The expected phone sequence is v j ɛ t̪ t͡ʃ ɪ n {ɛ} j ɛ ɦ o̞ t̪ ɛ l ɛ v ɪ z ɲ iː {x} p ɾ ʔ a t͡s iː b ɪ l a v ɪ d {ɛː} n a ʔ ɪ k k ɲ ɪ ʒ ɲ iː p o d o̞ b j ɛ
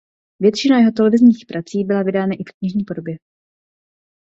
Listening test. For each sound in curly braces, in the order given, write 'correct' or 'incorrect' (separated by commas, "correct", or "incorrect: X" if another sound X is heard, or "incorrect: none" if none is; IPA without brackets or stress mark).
incorrect: a, correct, incorrect: aː